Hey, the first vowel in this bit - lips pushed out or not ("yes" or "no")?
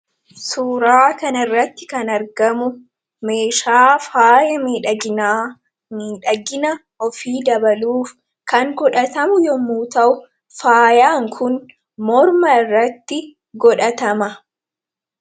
yes